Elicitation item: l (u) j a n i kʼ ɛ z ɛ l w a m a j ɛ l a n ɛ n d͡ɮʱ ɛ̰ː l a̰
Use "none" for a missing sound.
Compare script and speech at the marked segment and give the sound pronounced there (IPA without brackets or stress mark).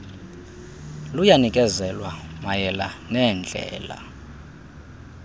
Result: u